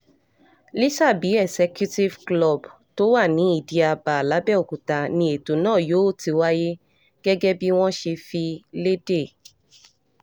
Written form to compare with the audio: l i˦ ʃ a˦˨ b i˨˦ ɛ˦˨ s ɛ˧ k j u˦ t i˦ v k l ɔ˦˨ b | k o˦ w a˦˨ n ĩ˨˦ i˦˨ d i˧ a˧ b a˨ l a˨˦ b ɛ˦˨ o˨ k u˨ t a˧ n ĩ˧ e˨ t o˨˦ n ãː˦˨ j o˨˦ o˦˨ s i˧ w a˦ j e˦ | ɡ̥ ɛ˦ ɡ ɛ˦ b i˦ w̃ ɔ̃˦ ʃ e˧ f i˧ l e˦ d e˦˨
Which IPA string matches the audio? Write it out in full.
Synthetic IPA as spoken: l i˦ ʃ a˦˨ b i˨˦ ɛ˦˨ s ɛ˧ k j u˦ t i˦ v k l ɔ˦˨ b | t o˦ w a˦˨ n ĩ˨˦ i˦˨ d i˧ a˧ b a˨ l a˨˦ b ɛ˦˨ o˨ k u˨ t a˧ n ĩ˧ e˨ t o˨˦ n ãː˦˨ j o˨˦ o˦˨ t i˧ w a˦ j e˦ | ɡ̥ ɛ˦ ɡ ɛ˦ b i˦ w̃ ɔ̃˦ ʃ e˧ f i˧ l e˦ d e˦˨